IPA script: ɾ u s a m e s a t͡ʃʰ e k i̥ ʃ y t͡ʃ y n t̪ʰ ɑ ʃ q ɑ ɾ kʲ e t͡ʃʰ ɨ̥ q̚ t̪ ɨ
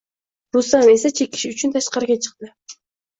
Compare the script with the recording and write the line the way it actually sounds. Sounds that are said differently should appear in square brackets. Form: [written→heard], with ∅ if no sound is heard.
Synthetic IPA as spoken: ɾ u s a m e s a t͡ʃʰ e k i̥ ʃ y t͡ʃ y n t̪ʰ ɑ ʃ q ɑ ɾ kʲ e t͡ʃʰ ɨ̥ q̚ t̪ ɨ